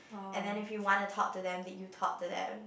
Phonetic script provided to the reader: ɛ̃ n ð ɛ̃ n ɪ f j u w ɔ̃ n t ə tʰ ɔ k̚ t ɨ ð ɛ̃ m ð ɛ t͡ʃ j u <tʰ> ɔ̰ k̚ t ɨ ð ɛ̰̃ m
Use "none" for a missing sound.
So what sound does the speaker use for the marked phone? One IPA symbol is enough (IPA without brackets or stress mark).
tʰ